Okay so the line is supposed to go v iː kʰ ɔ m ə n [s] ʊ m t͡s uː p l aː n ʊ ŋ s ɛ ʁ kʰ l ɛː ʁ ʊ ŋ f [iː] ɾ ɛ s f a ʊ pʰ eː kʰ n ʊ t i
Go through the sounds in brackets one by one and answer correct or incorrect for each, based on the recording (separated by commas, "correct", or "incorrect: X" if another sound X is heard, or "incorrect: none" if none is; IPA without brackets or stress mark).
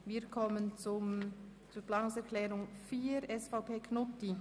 incorrect: t͡s, correct